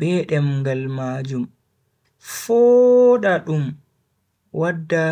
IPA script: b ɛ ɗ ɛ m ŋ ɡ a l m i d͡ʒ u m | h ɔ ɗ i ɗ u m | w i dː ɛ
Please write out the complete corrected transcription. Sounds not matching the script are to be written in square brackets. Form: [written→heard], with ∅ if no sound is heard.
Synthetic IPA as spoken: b ɛ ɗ ɛ m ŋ ɡ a l m [i→a] d͡ʒ u m | [h→f] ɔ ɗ [i→a] ɗ u m | w [i→a] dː [ɛ→a]